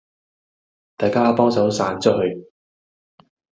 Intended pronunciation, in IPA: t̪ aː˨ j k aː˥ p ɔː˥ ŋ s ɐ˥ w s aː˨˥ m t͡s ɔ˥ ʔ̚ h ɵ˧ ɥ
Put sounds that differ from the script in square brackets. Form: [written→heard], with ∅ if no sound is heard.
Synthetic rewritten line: t̪ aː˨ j k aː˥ p ɔː˥ ŋ s [ɐ˥→ɐ˨˥] w s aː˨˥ [m→n] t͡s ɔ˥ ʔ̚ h ɵ˧ ɥ